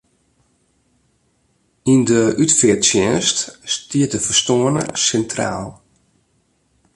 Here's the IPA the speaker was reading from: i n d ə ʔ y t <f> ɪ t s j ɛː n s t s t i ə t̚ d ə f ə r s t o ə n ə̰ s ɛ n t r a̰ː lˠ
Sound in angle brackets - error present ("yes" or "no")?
no